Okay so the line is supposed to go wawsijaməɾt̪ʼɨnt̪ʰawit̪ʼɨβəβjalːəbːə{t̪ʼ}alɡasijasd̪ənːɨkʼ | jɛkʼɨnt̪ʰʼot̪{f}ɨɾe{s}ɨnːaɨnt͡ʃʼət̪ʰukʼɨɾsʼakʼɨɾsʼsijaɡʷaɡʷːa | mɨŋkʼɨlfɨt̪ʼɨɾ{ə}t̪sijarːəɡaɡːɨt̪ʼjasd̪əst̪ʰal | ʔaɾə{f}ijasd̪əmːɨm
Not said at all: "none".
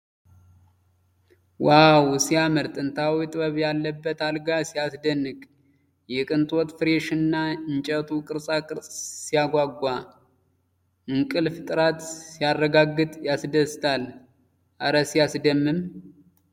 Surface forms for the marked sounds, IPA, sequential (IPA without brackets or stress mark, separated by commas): t̪, f, ʃ, a, s